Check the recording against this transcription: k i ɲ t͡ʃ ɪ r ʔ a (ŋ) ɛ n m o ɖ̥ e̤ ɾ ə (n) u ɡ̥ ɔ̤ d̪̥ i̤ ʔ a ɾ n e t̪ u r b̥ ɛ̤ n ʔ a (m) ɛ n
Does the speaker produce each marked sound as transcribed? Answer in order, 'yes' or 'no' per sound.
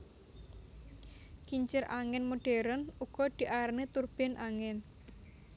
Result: yes, yes, no

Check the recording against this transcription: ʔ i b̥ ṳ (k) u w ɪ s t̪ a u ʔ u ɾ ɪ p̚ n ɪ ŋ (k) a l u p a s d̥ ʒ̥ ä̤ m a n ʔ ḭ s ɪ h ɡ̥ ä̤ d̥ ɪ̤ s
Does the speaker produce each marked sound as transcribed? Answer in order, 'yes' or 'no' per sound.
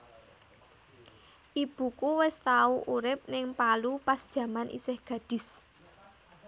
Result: yes, no

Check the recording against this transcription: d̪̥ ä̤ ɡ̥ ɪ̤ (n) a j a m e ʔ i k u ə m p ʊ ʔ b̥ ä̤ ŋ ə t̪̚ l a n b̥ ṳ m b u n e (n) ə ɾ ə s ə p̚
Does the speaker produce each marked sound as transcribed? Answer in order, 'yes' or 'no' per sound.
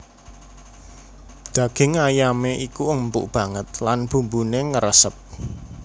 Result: no, no

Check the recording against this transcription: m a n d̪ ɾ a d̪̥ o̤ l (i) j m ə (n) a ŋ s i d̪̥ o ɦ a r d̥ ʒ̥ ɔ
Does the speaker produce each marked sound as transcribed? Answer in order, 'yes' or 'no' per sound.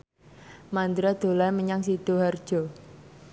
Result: no, no

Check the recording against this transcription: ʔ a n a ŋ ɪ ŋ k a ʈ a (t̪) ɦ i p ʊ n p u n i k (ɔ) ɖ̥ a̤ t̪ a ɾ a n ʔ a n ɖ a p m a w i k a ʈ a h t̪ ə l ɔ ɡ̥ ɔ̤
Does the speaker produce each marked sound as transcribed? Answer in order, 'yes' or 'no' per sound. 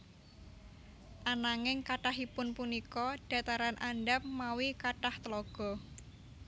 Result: no, yes

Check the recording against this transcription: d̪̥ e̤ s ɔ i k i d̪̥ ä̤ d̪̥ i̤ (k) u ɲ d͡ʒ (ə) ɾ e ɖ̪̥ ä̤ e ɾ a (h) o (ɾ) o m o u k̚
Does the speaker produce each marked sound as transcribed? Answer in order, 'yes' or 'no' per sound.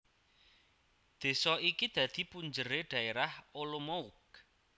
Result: no, yes, yes, no

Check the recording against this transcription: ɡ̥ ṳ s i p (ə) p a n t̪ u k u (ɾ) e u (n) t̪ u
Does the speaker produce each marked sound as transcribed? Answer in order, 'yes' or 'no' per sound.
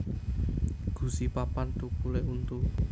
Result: no, no, yes

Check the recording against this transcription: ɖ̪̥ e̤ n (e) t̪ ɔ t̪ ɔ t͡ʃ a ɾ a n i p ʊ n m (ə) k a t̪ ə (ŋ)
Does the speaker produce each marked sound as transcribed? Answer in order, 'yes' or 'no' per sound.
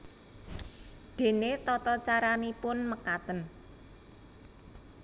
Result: yes, yes, no

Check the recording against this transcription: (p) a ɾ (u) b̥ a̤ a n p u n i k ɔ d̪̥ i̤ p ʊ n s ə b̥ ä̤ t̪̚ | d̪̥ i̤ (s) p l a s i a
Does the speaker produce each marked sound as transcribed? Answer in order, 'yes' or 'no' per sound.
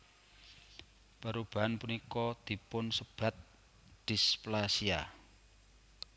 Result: yes, yes, yes

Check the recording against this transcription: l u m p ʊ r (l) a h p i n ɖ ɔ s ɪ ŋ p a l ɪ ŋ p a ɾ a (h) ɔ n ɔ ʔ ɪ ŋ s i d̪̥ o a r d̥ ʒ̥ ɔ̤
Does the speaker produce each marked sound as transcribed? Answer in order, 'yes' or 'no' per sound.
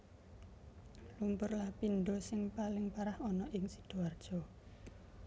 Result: yes, yes

